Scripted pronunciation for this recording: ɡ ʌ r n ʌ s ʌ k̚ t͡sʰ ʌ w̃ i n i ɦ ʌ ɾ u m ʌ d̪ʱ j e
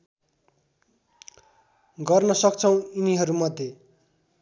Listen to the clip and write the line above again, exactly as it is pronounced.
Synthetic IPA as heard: ɡ ʌ r n ʌ s ʌ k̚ t͡sʰ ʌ w̃ i n i ɦ ʌ ɾ u m ʌ d̪ʱ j e